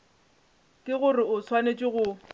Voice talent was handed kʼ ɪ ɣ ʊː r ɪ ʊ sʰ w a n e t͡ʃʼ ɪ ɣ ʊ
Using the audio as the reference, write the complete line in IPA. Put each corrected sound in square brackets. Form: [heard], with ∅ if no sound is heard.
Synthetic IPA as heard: kʼ ɪ ɣ [ʊ] r ɪ ʊ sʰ w a n e t͡ʃʼ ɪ ɣ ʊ